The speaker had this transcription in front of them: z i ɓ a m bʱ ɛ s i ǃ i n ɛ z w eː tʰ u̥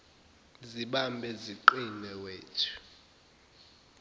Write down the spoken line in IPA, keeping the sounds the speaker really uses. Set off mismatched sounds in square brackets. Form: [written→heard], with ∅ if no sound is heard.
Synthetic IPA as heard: z i ɓ a m bʱ ɛ [s→z] i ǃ i n ɛ [z→∅] w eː tʰ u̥